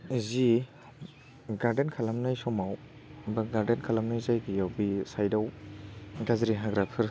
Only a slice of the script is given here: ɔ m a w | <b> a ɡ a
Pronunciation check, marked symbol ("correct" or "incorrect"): correct